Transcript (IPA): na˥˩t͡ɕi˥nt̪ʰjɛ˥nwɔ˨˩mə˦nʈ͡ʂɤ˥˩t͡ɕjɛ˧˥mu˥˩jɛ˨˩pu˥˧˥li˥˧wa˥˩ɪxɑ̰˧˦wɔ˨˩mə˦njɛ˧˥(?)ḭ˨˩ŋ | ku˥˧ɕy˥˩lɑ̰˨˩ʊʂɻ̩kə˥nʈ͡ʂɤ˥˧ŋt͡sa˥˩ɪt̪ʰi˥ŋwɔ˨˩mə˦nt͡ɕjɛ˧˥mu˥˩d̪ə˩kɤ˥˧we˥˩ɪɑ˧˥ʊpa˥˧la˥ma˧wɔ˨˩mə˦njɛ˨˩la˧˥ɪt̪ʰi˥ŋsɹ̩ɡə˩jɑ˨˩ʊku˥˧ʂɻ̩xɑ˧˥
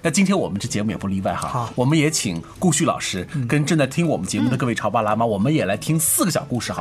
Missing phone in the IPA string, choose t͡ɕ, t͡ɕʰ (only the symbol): t͡ɕʰ